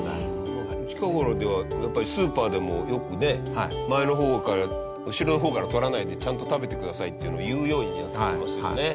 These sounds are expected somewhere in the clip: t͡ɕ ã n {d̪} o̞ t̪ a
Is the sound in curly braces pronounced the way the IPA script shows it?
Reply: no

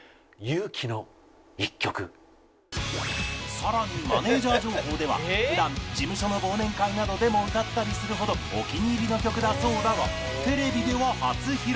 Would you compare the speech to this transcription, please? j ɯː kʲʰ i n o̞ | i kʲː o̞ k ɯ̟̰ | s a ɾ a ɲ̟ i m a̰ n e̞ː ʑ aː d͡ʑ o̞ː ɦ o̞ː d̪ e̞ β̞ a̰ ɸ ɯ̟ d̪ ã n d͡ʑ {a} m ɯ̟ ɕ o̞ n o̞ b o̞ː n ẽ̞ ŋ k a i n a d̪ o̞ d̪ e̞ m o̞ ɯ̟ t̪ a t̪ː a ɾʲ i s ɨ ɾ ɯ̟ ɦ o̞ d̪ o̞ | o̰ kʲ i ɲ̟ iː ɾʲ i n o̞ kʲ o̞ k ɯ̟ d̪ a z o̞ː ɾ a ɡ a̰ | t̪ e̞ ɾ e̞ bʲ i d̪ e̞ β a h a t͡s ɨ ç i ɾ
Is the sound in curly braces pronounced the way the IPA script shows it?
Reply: no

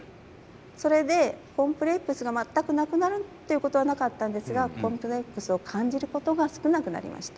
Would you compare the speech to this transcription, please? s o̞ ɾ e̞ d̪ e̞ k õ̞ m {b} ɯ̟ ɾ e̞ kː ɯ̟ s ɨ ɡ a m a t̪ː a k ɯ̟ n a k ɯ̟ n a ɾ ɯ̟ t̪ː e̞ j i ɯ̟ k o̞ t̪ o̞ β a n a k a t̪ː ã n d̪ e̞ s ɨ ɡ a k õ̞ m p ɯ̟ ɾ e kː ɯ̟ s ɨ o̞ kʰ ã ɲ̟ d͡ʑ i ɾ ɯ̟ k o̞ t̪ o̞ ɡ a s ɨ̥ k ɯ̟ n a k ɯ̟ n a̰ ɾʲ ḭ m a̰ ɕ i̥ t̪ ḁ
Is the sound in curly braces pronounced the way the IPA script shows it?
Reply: no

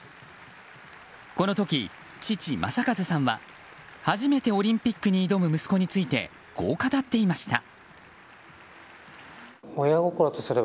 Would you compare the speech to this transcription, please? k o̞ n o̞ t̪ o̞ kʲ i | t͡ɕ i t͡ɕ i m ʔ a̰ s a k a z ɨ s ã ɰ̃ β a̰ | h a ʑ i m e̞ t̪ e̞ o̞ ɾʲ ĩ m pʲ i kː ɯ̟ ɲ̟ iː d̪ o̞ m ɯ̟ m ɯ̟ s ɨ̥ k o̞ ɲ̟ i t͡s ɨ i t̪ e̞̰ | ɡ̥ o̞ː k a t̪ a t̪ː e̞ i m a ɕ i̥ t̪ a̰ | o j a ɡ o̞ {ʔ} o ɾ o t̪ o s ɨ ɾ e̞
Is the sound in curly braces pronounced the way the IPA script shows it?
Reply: no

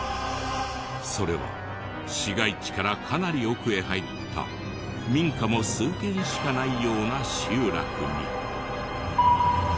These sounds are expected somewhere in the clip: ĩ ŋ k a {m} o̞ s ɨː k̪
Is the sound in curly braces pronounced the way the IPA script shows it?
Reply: yes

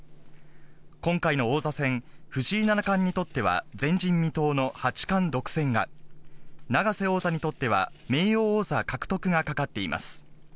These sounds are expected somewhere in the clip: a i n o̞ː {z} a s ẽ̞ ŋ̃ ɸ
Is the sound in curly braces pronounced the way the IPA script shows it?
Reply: yes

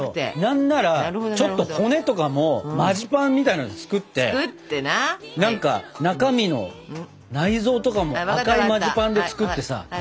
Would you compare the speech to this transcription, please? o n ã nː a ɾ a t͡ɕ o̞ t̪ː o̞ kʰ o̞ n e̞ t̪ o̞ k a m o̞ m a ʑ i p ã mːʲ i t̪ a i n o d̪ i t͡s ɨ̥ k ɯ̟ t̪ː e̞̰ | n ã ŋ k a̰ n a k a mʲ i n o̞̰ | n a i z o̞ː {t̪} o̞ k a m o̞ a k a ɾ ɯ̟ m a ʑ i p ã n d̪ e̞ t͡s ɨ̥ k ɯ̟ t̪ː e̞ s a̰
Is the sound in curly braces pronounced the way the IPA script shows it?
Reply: yes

